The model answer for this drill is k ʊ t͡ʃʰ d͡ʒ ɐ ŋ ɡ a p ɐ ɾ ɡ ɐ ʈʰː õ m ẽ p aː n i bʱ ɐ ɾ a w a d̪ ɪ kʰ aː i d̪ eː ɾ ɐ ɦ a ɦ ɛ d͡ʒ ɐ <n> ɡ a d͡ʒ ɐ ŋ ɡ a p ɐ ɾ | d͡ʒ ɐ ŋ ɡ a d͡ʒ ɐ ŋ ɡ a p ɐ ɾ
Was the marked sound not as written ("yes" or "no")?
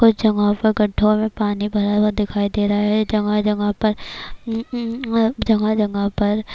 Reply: yes